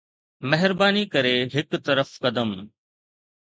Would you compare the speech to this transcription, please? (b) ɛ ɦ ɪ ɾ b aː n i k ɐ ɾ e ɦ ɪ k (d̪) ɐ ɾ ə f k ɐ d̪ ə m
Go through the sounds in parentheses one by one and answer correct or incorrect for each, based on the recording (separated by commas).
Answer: incorrect, incorrect